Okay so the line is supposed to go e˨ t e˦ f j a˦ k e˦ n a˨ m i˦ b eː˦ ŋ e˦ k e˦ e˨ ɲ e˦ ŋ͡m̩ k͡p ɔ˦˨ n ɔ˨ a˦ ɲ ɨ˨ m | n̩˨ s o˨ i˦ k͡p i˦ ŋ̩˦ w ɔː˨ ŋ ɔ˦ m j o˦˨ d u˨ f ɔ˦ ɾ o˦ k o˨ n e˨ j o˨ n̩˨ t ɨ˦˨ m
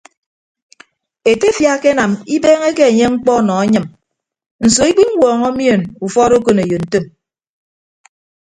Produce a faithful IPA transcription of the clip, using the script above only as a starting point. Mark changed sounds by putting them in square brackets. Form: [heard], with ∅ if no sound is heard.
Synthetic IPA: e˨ t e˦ f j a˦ k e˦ n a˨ m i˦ b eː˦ ŋ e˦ k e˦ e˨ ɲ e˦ ŋ͡m̩ k͡p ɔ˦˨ n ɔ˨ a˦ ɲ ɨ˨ m | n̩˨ s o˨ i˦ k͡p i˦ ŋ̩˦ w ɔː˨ ŋ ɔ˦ m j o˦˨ [n] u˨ f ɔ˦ ɾ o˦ k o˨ n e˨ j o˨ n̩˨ t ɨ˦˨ m